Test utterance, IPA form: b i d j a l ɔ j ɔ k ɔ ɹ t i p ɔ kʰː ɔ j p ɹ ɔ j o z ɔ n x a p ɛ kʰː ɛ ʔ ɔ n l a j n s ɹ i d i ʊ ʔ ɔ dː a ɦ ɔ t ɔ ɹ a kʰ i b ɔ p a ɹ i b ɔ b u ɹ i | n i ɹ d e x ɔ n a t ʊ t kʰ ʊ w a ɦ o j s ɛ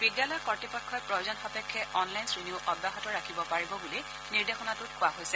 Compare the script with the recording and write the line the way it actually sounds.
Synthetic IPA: b i d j a l ɔ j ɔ k ɔ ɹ t i p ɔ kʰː ɔ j p ɹ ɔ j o z ɔ n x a p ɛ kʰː ɛ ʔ ɔ n l a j n s ɹ i n i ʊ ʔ ɔ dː a ɦ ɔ t ɔ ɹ a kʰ i b ɔ p a ɹ i b ɔ b u l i | n i ɹ d e x ɔ n a t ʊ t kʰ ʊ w a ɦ o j s ɛ

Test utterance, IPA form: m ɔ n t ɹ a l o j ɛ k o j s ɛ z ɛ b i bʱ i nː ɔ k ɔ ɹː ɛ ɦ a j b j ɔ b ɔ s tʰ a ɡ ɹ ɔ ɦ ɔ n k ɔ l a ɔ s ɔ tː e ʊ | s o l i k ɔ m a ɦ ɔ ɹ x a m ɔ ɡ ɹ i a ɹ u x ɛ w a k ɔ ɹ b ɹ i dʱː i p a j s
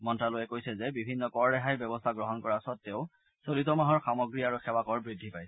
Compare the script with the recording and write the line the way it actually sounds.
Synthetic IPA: m ɔ n t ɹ a l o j ɛ k o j s ɛ z ɛ b i bʱ i nː ɔ k ɔ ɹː ɛ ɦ a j b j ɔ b ɔ s tʰ a ɡ ɹ ɔ ɦ ɔ n k ɔ ɹ a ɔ s ɔ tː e ʊ | s o l i t ɔ m a ɦ ɔ ɹ x a m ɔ ɡ ɹ i a ɹ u x ɛ w a k ɔ ɹ b ɹ i dʱː i p a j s

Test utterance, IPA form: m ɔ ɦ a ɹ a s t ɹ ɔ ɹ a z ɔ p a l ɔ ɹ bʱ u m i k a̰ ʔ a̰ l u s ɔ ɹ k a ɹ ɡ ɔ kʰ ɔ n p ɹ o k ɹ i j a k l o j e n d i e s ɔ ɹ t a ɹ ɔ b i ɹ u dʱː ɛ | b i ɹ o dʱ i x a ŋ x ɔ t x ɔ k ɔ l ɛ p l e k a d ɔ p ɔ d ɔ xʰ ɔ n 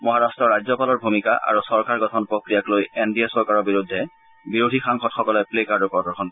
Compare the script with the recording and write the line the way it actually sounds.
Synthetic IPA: m ɔ ɦ a ɹ a s t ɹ ɔ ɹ a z ɔ p a l ɔ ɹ bʱ u m i k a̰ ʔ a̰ ɹ u s ɔ ɹ k a ɹ ɡ ɔ tʰ ɔ n p ɹ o k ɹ i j a k l o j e n d i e s ɔ ɹ k a ɹ ɔ b i ɹ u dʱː ɛ | b i ɹ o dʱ i x a ŋ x ɔ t x ɔ k ɔ l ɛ p l e k a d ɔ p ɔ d ɔ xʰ ɔ n

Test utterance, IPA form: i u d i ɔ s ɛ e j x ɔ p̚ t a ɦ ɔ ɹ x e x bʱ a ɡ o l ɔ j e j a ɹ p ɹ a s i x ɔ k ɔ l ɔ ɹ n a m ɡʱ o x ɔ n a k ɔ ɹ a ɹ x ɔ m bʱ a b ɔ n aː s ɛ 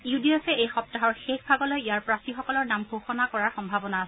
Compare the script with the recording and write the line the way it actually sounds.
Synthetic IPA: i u d i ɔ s ɛ e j x ɔ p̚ t a ɦ ɔ ɹ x e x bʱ a ɡ ɔ l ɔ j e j a ɹ p ɹ a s i x ɔ k ɔ l ɔ ɹ n a m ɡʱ o x ɔ n a k ɔ ɹ a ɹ x ɔ m bʱ a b ɔ n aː s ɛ

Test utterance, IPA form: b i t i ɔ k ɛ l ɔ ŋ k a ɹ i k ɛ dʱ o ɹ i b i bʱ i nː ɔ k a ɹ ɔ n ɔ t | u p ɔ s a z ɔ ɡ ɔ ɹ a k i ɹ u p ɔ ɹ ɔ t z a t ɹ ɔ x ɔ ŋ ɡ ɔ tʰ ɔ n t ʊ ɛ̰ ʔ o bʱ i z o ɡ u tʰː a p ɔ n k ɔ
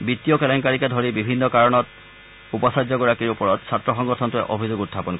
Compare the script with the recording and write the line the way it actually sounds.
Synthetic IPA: b i t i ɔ k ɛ l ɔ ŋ k a ɹ i k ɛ dʱ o ɹ i b i bʱ i nː ɔ k a ɹ ɔ n ɔ t | u p ɔ s a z ɔ ɡ ɔ ɹ a k i ɹ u p ɔ ɹ ɔ t s a t ɹ ɔ x ɔ ŋ ɡ ɔ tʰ ɔ n t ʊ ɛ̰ ʔ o bʱ i z o ɡ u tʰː a p ɔ n k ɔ

